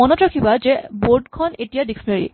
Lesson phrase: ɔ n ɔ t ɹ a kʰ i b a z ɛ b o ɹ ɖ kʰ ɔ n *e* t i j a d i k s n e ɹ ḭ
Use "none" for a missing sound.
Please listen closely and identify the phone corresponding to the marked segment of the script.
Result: e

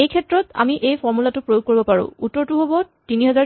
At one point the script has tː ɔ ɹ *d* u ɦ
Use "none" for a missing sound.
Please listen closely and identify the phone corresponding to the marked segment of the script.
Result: t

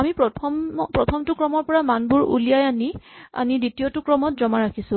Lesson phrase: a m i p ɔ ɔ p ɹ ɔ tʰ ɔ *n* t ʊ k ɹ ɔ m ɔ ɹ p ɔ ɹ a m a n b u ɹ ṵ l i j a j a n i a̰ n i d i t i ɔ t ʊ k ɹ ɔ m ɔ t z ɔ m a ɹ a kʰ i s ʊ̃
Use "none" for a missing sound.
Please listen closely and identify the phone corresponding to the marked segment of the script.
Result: m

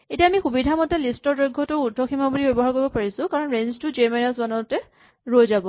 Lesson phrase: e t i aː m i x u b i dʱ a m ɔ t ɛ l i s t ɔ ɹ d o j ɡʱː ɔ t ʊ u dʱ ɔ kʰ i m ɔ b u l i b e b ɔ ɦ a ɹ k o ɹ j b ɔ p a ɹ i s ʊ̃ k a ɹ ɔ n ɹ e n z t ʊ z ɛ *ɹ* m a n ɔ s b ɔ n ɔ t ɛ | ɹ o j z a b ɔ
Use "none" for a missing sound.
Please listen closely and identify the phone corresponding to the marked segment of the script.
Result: ɹ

